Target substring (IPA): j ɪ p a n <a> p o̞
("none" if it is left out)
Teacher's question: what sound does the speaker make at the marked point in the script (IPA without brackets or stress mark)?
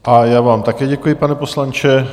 ɛ